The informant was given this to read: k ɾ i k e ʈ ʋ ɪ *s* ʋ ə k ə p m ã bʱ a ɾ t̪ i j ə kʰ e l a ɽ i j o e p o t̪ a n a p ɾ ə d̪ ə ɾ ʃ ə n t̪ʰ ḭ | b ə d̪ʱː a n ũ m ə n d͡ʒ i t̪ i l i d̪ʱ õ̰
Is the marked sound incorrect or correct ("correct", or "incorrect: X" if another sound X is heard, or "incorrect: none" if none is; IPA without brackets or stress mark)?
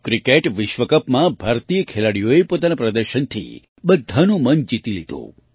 incorrect: ʃ